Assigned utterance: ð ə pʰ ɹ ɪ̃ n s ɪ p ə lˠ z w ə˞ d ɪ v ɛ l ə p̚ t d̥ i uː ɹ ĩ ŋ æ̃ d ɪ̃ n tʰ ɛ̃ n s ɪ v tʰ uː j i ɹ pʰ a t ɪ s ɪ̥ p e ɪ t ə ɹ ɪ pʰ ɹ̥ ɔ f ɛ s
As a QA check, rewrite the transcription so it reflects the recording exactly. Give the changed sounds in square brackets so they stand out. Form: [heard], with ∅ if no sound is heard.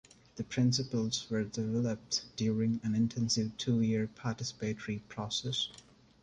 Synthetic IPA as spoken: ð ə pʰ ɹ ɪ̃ n s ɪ p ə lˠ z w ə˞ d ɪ v ɛ l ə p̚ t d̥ [j] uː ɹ [ɪ̃] ŋ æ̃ [n] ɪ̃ n tʰ ɛ̃ n s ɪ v tʰ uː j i ɹ pʰ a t ɪ s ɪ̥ p e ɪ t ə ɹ [i] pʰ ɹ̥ ɔ [s] ɛ s